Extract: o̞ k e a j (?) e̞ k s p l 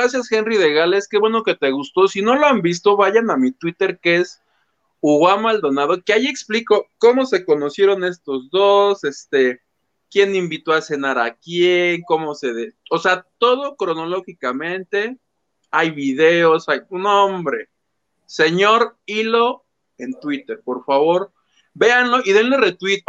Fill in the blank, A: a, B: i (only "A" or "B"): B